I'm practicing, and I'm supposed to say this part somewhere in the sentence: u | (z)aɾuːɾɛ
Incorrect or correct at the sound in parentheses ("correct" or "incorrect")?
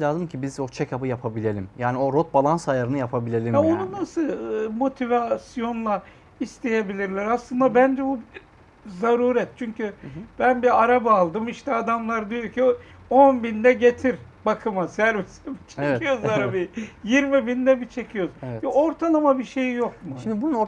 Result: correct